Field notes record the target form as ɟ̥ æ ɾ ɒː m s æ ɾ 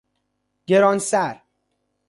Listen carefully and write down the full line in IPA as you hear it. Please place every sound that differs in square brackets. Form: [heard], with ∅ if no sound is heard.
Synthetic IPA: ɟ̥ [e] ɾ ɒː [n] s æ ɾ